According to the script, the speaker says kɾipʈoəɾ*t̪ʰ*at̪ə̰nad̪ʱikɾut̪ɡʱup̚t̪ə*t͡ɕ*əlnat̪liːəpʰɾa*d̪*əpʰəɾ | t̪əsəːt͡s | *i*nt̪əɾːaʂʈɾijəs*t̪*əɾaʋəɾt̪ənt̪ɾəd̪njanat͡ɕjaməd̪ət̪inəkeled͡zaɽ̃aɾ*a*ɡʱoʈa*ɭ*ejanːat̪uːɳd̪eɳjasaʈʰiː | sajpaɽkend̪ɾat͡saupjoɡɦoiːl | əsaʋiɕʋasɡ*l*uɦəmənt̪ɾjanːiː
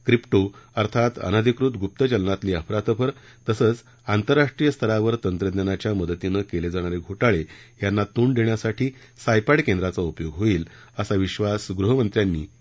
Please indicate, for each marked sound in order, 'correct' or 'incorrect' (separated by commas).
correct, correct, incorrect, incorrect, incorrect, incorrect, correct, incorrect